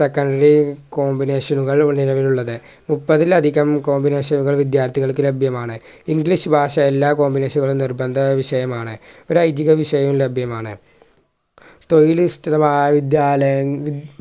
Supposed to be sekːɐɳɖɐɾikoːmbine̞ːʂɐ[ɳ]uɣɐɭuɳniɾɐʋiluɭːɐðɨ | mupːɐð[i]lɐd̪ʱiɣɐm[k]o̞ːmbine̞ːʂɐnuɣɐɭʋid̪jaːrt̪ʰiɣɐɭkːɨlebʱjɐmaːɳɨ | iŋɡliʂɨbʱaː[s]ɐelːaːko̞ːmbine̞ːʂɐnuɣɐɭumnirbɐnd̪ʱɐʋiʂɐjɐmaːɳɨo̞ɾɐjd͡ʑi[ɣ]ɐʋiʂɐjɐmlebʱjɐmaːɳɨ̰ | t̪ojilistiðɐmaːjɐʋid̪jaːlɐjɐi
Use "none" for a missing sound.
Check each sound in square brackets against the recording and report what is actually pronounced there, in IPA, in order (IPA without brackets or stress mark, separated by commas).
n, i, k, ʂ, ɣ